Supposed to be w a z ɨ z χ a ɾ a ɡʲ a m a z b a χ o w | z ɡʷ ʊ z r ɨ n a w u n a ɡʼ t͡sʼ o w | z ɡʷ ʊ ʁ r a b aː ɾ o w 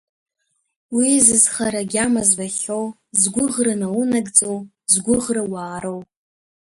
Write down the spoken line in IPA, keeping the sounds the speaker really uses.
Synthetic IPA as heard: w i z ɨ z χ a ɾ a ɡʲ a m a z b a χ o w | z ɡʷ ʊ ʁ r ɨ n a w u n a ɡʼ t͡sʼ o w | z ɡʷ ʊ ʁ r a w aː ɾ o w